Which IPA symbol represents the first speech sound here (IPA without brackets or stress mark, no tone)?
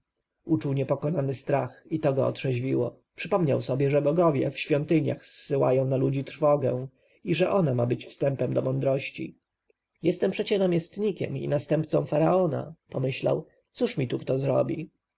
u